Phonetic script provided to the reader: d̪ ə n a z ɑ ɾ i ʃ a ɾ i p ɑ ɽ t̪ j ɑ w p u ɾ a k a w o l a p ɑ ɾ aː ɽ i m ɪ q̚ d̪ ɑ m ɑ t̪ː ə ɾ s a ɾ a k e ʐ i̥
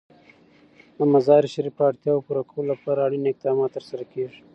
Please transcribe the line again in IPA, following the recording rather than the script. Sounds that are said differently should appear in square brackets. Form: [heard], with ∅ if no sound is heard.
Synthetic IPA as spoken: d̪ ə [m] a z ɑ ɾ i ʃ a ɾ i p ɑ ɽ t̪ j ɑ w p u ɾ a k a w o l a p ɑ ɾ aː ɽ i [n] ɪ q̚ d̪ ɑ m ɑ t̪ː ə ɾ s a ɾ a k e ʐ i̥